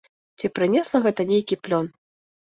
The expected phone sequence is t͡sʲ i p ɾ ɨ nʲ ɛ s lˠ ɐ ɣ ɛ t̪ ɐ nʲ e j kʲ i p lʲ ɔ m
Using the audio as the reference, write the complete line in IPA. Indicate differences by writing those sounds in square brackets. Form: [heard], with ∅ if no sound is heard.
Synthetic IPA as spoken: t͡sʲ i p ɾ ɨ nʲ ɛ s lˠ ɐ ɣ ɛ t̪ ɐ nʲ e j kʲ i p lʲ ɔ [n]